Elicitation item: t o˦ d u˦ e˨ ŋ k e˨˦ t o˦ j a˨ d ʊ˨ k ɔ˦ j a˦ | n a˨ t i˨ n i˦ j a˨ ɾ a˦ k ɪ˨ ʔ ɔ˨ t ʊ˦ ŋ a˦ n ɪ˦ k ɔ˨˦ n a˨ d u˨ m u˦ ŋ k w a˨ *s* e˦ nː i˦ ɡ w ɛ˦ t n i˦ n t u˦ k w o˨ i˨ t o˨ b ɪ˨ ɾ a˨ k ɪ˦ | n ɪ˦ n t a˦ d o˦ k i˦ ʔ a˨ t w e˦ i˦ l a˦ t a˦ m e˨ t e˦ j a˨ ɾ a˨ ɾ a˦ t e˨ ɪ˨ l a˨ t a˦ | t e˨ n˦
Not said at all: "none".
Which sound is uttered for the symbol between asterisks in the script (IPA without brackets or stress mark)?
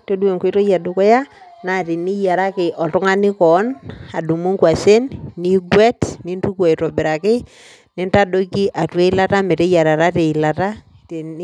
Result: s